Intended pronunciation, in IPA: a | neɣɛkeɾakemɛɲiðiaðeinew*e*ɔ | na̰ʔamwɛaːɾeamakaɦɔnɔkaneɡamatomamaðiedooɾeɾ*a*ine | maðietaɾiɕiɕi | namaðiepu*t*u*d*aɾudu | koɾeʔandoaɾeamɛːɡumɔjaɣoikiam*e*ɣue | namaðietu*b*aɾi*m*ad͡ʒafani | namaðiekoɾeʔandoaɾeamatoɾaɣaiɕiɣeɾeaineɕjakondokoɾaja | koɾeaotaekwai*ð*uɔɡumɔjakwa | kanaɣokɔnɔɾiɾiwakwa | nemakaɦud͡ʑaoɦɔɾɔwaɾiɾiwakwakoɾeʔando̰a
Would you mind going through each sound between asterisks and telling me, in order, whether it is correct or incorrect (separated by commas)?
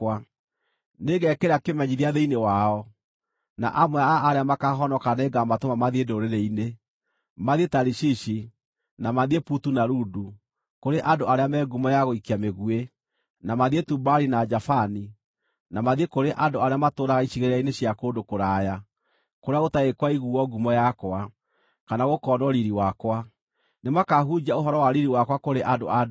incorrect, incorrect, correct, incorrect, correct, correct, incorrect, incorrect